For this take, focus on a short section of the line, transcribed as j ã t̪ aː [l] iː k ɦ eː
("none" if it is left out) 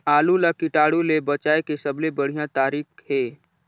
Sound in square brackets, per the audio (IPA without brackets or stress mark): ɾ